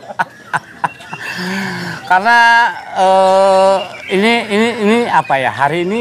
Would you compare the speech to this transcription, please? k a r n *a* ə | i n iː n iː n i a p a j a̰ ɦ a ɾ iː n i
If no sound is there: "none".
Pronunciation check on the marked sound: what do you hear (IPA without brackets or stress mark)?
a